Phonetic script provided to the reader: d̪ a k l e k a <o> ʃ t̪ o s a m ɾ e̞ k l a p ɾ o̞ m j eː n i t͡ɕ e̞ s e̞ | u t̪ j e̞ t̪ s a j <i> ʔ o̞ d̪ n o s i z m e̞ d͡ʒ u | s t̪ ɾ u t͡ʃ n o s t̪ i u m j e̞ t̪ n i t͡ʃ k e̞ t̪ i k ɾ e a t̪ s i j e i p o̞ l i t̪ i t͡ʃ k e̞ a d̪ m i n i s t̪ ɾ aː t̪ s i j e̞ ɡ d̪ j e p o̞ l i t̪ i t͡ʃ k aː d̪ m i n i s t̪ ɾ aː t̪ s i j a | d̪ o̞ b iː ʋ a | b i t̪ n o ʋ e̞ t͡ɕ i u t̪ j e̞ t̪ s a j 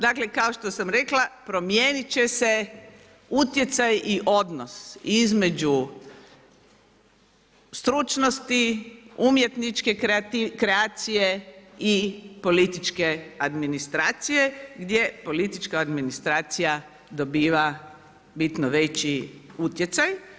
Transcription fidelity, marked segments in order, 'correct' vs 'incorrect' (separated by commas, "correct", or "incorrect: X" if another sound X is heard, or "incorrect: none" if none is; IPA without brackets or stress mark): correct, correct